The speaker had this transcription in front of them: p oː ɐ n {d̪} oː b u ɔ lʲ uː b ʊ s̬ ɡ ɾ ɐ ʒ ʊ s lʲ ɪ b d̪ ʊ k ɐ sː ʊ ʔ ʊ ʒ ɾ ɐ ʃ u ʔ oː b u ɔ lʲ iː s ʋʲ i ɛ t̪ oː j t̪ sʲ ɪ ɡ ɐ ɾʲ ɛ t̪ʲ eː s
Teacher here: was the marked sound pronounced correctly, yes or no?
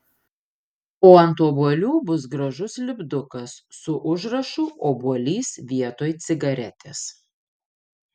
no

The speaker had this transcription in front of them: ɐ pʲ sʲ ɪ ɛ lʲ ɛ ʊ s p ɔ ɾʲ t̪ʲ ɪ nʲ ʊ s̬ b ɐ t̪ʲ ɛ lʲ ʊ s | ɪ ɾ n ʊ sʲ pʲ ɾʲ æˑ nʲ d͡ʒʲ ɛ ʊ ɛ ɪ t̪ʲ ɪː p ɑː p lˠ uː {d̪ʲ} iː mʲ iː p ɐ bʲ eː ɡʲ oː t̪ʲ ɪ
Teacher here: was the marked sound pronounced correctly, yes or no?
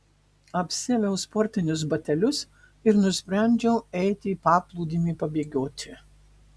yes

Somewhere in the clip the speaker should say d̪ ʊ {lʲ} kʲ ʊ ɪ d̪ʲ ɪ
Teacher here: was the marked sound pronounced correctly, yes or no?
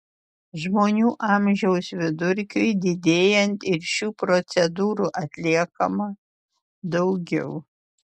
no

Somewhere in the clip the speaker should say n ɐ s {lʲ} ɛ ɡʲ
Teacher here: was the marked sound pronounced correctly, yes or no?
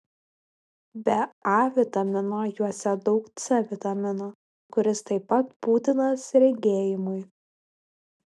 no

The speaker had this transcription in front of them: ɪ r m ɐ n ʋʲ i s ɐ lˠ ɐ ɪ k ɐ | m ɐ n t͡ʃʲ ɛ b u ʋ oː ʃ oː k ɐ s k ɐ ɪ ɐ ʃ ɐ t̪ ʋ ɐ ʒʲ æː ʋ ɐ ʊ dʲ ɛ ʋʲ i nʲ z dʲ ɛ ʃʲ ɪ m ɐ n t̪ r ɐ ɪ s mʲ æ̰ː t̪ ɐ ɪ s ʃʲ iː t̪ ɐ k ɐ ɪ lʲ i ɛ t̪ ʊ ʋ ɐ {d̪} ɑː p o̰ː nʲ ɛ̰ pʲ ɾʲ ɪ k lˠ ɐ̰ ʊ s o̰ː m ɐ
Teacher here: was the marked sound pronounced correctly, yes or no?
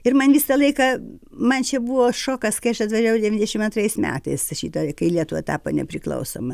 no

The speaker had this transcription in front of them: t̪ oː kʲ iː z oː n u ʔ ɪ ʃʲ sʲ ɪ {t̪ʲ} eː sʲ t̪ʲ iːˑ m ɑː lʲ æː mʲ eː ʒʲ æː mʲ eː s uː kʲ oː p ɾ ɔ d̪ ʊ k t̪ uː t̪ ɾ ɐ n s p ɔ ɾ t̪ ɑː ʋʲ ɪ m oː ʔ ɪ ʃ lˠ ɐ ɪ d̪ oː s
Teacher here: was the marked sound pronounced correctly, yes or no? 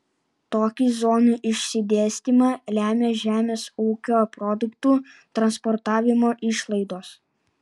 no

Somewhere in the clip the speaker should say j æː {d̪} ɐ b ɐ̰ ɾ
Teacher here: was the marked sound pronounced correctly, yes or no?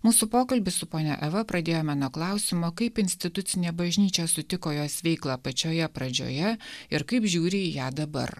yes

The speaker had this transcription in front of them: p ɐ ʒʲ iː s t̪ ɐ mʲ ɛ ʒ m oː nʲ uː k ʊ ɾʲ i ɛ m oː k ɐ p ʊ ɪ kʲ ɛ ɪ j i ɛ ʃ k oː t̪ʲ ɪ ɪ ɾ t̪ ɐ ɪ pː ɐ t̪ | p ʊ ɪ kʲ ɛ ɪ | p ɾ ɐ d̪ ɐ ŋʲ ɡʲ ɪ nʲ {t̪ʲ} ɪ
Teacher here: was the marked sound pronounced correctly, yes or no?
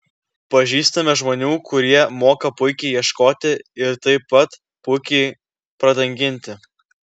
yes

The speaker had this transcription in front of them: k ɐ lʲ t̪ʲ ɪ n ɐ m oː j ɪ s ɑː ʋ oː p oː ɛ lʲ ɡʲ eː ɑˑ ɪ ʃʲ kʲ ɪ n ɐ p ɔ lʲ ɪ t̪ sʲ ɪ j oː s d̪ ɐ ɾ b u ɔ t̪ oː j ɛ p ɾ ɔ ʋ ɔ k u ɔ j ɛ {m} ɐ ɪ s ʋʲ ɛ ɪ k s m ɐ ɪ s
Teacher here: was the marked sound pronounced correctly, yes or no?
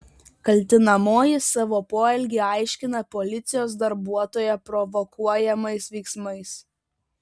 yes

